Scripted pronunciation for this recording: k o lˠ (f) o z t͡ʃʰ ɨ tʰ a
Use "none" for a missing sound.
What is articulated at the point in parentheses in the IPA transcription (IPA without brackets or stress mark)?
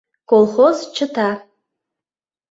χ